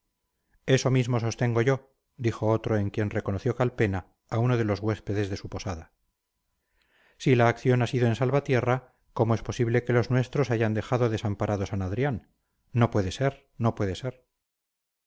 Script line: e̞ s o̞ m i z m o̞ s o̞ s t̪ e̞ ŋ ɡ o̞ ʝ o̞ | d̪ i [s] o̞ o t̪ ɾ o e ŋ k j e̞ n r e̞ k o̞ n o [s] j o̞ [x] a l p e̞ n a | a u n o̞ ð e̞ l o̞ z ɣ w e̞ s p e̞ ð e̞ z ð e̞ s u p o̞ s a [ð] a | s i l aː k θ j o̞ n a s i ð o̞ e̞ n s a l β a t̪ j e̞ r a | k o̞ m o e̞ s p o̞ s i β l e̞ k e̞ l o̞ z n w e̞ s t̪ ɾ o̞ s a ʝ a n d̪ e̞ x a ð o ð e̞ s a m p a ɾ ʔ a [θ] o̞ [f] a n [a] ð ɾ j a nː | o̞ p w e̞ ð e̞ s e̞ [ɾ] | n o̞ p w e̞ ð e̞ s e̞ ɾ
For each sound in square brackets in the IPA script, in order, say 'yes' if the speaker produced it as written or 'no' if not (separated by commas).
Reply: no, no, no, yes, no, no, yes, yes